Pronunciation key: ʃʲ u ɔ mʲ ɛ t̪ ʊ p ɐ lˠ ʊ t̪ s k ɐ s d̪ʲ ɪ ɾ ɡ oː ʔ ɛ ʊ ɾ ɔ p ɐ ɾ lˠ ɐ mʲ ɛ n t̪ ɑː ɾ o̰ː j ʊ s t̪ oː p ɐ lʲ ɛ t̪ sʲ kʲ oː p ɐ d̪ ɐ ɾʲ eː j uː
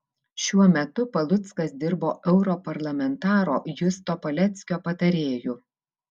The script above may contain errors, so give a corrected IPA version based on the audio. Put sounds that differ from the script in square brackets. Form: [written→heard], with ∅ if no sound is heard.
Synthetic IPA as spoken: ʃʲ u ɔ mʲ ɛ t̪ ʊ p ɐ lˠ ʊ t̪ s k ɐ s d̪ʲ ɪ ɾ [ɡ→b] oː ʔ ɛ ʊ ɾ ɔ p ɐ ɾ lˠ ɐ mʲ ɛ n t̪ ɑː ɾ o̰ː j ʊ s t̪ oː p ɐ lʲ ɛ t̪ sʲ kʲ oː p ɐ [d̪→t̪] ɐ ɾʲ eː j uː